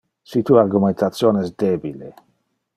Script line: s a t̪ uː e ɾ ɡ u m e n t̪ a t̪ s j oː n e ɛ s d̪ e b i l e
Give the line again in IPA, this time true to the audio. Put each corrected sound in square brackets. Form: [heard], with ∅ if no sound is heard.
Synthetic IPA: s [i] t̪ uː [a] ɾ ɡ u m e n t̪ a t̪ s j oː n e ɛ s d̪ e b i l e